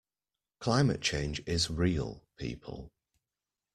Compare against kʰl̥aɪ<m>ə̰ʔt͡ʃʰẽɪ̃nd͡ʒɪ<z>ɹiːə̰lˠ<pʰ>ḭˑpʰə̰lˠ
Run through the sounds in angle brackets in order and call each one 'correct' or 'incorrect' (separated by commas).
correct, correct, correct